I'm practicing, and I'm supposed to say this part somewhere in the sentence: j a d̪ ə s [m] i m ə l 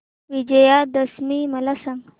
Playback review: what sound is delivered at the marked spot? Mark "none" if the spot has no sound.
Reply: m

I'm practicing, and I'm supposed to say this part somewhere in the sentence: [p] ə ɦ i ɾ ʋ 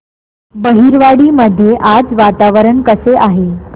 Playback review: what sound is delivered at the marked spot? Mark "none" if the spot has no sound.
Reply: b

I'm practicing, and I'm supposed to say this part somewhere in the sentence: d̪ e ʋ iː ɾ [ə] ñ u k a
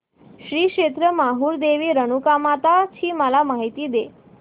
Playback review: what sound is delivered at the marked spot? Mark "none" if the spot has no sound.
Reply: ə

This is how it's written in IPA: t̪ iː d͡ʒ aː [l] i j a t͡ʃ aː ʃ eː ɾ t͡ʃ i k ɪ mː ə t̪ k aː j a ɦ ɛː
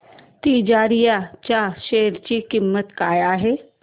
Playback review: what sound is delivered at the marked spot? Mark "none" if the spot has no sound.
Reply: ɾ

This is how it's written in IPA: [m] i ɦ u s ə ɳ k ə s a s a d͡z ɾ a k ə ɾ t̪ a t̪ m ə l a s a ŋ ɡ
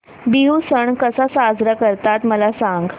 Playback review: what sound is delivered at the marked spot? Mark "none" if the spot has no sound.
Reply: b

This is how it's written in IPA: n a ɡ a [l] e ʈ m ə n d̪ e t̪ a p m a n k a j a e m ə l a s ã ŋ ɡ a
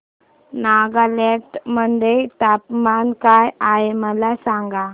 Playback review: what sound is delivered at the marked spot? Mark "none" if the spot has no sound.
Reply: l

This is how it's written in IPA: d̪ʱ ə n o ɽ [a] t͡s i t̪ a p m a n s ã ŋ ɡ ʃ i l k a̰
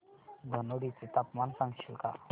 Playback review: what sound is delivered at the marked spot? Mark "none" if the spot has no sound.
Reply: i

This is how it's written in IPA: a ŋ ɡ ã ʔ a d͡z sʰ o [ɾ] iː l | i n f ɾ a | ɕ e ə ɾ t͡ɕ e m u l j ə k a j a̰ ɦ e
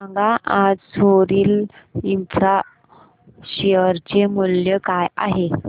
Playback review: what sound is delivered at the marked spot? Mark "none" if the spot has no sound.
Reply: ɾ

